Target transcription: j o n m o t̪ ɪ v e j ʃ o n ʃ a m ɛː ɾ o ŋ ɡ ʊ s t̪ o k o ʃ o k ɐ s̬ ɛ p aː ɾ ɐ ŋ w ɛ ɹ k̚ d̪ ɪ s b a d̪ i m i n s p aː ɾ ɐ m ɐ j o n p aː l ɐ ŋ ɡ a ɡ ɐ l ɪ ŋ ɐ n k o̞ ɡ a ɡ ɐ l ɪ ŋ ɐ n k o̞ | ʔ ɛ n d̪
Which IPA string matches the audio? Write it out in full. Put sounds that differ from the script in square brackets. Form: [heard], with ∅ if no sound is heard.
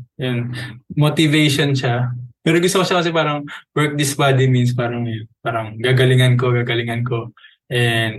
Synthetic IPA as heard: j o n m o t̪ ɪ v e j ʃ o n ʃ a m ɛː ɾ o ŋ ɡ ʊ s t̪ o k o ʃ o k ɐ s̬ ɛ p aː ɾ ɐ ŋ w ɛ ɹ k̚ d̪ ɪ s b a d̪ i m i n s p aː ɾ ɐ [ŋ] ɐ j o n p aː [ɾ] ɐ ŋ ɡ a ɡ ɐ l ɪ ŋ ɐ n k o̞ ɡ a ɡ ɐ l ɪ ŋ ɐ n k o̞ | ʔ ɛ n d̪